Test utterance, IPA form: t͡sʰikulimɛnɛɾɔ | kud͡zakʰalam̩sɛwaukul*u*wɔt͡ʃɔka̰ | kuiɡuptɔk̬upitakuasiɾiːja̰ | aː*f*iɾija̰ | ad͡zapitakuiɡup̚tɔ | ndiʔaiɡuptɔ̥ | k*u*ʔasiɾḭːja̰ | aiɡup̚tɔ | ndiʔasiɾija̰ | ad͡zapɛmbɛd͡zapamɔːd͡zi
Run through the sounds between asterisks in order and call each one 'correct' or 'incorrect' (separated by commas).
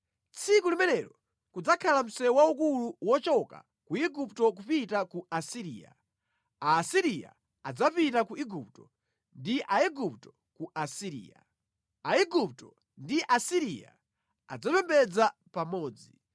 correct, incorrect, correct